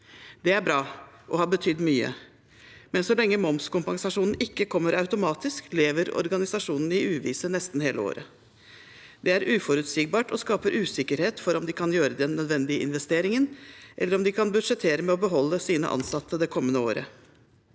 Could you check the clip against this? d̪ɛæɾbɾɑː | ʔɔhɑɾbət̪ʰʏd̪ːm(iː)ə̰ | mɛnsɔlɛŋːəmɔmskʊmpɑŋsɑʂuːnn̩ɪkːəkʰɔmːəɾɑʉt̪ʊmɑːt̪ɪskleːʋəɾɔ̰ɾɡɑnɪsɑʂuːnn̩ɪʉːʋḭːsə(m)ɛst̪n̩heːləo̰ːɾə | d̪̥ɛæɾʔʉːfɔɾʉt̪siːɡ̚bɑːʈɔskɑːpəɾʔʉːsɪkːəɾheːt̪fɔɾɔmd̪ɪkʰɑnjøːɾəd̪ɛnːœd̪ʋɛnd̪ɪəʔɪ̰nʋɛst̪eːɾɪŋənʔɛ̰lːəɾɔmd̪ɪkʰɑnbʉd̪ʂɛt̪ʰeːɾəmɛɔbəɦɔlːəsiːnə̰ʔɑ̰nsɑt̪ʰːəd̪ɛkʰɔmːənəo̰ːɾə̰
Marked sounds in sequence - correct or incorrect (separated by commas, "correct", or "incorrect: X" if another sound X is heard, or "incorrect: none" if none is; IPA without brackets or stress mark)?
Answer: incorrect: yː, incorrect: n